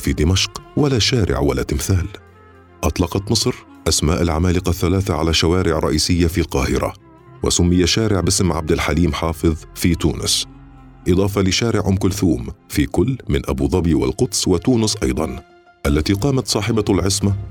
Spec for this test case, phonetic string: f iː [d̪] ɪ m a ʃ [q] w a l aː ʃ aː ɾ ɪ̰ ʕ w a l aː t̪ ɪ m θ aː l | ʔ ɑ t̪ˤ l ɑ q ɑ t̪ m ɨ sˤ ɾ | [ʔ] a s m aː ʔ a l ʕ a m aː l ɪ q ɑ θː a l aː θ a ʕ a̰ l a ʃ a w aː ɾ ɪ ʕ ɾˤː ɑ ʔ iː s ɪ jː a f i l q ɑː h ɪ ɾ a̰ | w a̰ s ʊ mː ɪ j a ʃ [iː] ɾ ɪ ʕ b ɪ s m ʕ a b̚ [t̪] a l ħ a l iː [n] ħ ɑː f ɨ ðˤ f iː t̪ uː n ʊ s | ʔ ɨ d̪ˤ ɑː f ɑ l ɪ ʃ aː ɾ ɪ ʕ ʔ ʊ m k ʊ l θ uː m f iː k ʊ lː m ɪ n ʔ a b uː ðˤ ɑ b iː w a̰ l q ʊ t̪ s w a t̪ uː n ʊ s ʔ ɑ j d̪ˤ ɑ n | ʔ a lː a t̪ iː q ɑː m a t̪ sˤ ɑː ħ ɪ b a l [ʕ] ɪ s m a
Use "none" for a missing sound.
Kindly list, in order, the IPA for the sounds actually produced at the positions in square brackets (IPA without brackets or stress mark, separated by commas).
d̪, q, ʔ, aː, d̪, m, ʕ